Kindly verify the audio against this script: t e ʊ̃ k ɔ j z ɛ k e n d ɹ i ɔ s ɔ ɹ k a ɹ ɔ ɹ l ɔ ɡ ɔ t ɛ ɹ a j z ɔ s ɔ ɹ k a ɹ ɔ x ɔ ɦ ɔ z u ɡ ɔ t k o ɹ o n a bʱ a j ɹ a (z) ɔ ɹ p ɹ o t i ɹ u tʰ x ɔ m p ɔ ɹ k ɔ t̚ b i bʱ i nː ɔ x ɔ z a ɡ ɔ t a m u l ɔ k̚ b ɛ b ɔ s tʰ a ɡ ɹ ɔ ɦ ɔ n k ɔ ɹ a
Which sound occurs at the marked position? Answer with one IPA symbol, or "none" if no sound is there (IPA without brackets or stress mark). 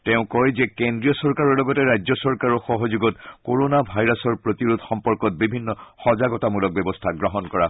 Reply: s